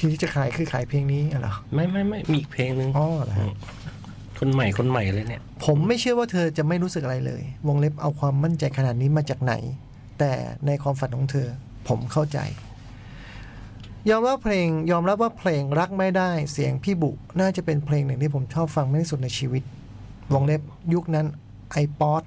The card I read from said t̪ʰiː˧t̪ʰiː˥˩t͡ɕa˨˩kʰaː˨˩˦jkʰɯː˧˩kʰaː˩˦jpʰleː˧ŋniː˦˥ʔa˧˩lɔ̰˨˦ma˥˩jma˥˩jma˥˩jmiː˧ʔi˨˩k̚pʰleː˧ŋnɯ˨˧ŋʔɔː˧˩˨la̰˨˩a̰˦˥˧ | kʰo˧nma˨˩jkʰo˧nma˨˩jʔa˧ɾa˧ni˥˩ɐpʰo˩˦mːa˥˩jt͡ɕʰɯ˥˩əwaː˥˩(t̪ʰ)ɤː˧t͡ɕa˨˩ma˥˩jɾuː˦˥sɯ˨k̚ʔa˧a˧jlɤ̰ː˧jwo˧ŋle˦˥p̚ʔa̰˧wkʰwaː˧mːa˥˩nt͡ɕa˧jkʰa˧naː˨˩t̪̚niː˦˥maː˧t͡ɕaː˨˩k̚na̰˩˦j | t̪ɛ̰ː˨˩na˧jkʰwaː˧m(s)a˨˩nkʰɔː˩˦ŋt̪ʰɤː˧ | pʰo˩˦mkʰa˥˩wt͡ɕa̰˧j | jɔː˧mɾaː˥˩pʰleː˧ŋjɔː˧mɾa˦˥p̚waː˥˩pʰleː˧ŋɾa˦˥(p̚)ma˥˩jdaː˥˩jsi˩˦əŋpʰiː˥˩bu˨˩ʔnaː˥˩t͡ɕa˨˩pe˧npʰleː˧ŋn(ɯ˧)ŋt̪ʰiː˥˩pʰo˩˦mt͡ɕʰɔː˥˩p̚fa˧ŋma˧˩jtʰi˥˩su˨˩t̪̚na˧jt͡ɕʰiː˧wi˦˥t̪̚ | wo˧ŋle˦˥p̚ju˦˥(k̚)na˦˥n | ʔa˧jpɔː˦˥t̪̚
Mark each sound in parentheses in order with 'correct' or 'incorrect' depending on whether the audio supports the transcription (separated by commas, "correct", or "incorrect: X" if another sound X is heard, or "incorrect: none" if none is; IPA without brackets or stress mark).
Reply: correct, incorrect: f, incorrect: k̚, incorrect: ɯ˨˩, correct